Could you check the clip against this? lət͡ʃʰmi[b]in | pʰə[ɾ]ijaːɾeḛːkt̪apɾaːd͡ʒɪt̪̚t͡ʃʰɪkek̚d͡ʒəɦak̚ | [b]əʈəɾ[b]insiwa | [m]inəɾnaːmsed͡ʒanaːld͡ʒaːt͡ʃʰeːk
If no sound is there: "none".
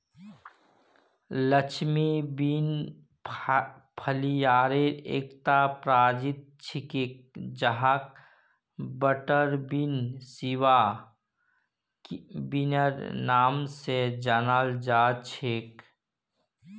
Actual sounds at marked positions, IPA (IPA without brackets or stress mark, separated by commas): b, l, b, b, b